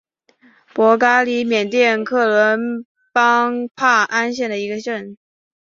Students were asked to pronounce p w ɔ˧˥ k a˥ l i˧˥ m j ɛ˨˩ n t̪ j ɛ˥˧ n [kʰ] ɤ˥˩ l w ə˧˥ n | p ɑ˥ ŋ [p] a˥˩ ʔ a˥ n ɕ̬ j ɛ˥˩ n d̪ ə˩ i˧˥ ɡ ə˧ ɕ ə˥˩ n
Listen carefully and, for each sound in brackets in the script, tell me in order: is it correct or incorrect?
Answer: correct, incorrect

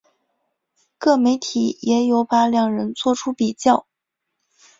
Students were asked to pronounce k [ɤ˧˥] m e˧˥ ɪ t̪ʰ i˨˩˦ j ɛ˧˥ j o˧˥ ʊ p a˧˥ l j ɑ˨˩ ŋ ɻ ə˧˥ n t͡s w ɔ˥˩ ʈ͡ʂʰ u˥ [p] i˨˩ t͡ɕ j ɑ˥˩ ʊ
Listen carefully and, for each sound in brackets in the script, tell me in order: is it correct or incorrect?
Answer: incorrect, correct

